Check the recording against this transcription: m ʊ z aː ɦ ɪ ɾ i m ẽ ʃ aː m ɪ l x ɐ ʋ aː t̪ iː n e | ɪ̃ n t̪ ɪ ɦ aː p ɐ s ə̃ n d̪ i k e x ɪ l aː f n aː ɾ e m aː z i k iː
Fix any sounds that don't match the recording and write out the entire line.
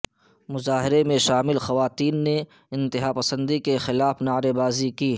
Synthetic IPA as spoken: m ʊ z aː ɦ ɪ ɾ e m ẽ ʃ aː m ɪ l x ɐ ʋ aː t̪ iː nː e | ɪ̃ n t̪ ɪ ɦ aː p ɐ s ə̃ n d̪ i k e x ɪ l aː f n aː ɾ e b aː z i k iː